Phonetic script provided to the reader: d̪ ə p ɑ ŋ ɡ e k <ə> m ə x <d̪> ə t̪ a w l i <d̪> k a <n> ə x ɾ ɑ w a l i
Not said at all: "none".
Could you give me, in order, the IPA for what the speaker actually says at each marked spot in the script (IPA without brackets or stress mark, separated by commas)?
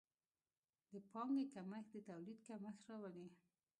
a, d̪, d̪, m